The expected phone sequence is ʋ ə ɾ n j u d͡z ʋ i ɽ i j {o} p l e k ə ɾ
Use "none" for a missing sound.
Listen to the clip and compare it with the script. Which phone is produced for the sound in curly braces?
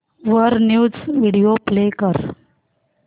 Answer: o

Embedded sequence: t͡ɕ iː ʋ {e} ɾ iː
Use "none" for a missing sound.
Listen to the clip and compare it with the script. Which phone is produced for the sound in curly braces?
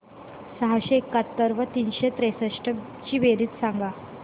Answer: e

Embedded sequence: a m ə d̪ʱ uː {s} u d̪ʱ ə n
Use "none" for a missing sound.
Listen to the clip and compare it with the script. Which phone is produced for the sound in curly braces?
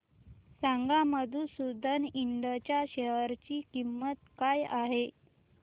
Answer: s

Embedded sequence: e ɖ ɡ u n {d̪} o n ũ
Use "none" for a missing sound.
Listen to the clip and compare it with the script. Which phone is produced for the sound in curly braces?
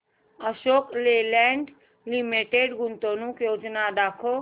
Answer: t̪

